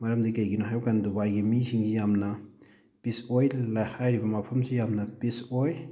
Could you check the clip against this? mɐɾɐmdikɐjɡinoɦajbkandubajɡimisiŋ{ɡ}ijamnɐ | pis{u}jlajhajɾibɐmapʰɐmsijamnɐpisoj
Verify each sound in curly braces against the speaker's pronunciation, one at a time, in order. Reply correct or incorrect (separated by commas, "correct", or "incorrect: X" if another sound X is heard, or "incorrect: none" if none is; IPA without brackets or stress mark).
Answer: correct, incorrect: o